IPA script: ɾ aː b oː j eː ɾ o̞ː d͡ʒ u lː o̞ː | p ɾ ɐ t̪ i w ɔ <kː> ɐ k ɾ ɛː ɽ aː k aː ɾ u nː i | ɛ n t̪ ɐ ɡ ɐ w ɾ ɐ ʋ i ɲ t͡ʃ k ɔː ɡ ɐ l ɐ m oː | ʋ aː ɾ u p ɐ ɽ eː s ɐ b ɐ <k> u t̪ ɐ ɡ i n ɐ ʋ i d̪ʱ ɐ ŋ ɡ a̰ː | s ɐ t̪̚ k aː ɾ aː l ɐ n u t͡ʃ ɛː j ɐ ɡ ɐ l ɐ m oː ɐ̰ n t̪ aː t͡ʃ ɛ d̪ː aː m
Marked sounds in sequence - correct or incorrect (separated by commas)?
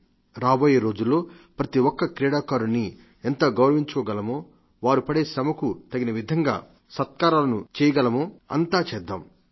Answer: correct, correct